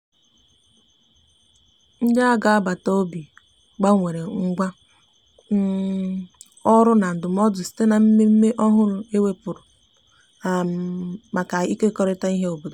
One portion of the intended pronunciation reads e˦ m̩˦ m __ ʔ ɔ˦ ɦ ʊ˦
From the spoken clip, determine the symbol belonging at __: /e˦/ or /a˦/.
e˦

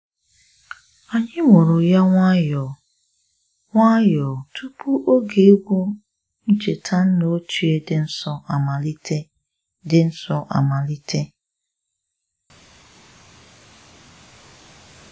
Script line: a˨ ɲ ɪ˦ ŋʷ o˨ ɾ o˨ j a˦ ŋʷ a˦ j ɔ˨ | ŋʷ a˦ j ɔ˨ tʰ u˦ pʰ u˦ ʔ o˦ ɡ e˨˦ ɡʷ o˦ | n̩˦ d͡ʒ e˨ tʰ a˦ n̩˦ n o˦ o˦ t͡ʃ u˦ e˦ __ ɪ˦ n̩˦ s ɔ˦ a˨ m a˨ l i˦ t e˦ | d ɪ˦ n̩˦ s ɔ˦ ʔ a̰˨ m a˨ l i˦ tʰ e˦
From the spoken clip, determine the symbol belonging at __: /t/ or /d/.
d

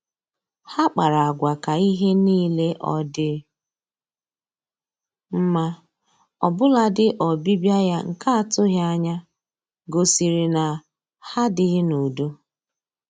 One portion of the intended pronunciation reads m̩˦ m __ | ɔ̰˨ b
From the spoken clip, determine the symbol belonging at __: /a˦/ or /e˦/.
a˦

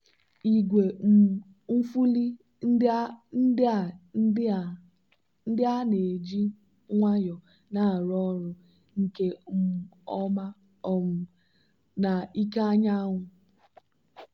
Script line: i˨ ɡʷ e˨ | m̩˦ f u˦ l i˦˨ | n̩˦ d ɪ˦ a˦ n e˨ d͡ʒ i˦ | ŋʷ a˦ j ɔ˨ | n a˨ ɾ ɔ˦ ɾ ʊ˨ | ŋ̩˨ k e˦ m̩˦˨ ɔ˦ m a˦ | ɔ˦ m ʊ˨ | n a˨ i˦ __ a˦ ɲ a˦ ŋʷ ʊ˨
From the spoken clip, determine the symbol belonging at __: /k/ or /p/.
k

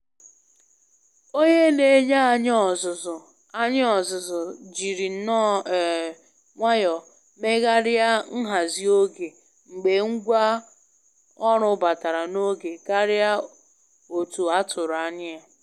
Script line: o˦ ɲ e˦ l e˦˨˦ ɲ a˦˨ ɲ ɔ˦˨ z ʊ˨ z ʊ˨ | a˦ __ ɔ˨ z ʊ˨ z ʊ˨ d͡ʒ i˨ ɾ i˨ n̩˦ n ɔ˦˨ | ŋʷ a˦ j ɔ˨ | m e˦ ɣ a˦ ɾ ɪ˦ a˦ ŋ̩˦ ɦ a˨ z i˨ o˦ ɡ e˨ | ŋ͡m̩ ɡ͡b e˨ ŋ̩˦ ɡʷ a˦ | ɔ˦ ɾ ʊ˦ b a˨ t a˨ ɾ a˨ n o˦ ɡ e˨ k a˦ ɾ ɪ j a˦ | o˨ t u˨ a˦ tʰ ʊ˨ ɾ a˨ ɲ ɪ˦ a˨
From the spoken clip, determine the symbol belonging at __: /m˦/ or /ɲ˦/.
ɲ˦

